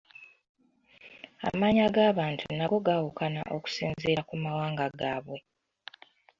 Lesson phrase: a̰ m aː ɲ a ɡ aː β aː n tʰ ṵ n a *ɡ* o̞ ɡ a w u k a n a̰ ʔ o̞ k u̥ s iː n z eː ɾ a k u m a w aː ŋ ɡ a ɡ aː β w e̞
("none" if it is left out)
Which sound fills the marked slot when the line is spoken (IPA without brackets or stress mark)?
ɡ